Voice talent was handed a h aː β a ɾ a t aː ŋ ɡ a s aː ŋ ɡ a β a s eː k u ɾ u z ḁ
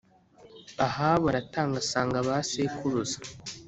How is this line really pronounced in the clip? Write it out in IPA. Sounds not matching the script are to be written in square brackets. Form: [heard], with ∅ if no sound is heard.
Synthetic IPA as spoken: a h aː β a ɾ a t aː ŋ ɡ a s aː ŋ ɡ a β a s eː k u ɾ u z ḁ